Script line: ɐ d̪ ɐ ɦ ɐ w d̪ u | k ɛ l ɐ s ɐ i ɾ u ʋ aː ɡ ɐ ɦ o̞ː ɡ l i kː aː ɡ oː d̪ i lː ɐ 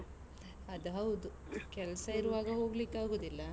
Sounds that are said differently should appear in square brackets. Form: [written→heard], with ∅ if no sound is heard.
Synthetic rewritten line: ɐ d̪ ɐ ɦ ɐ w d̪ u | k ɛ l ɐ s ɐ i ɾ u ʋ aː ɡ ɐ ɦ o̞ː ɡ l i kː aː ɡ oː d̪ i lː ɐ

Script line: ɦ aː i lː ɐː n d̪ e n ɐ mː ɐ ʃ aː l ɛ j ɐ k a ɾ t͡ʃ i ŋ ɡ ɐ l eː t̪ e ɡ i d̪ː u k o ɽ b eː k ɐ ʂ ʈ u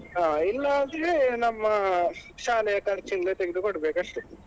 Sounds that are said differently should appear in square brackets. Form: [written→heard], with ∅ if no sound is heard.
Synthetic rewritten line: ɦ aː i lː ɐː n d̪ e n ɐ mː ɐ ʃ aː l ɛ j ɐ k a ɾ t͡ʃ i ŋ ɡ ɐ l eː t̪ e ɡ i [d̪ː→d̪] u k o ɽ b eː k ɐ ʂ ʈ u

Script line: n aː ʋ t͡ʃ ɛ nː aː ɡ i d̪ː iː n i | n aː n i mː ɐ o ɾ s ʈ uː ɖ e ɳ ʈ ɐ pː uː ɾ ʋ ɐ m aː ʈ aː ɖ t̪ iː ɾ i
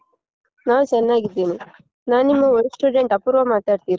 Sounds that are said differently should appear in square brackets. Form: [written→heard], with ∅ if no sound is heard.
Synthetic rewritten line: n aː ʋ t͡ʃ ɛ nː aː ɡ i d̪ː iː n i | n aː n i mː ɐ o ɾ s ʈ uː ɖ e ɳ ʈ ɐ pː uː ɾ ʋ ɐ m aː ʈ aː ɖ t̪ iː ɾ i

